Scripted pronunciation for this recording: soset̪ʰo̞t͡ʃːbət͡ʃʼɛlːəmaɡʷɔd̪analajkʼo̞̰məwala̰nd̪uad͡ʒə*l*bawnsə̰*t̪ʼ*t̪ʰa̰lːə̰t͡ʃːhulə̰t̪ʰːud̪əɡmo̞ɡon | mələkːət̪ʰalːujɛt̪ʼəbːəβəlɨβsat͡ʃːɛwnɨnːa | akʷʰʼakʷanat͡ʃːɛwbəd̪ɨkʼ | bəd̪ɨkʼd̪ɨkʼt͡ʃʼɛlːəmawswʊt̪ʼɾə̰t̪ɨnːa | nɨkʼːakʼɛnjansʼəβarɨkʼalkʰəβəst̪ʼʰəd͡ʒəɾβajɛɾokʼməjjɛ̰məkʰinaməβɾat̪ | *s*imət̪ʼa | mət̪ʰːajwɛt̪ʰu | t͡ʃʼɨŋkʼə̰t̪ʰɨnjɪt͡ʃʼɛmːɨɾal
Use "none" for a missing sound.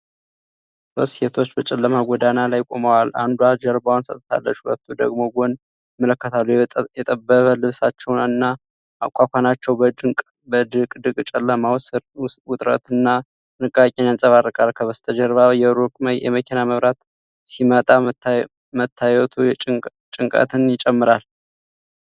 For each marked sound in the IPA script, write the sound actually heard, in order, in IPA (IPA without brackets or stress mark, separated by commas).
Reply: ɾ, t̪ʼ, s